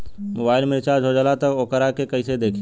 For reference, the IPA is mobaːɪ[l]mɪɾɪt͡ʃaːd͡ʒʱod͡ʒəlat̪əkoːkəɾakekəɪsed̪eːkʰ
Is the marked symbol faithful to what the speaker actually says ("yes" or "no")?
yes